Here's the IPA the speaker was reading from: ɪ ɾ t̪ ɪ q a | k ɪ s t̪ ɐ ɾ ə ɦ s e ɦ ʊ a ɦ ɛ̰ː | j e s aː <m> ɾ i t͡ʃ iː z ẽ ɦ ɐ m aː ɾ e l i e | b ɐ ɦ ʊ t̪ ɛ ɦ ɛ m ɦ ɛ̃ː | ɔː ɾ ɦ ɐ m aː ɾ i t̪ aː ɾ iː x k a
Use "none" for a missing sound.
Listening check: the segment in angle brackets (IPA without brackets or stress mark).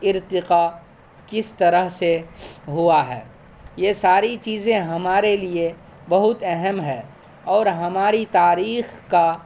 none